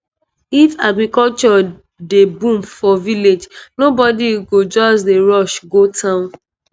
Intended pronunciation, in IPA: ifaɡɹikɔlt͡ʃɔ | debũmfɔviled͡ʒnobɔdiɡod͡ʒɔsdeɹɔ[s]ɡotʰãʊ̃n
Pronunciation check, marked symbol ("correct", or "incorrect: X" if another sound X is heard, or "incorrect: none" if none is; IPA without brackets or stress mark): incorrect: ʃ